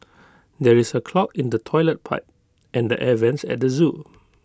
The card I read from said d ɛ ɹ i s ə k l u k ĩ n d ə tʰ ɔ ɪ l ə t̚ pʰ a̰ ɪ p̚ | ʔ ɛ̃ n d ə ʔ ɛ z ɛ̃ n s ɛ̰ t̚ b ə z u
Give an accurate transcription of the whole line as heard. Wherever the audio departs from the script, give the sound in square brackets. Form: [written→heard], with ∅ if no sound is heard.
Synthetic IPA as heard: d ɛ ɹ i s ə [k→kʰ] l [u→ɔ] k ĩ n d ə tʰ ɔ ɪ l ə t̚ pʰ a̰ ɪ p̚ | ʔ ɛ̃ n d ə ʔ ɛ [z→v] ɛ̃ n s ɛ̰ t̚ [b→d] ə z u